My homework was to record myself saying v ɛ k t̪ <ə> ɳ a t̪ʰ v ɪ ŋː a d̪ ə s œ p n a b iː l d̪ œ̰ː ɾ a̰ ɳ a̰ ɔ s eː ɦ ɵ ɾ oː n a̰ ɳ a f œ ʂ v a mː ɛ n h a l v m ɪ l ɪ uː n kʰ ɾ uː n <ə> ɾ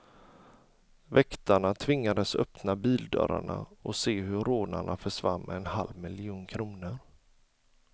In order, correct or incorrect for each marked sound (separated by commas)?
incorrect, correct